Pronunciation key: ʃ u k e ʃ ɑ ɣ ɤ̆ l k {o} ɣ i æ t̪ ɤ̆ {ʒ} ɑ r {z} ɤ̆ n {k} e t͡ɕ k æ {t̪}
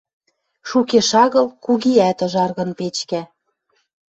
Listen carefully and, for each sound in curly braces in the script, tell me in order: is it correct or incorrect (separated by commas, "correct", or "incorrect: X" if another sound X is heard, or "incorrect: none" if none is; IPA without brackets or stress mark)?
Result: incorrect: u, correct, incorrect: ɣ, incorrect: p, incorrect: none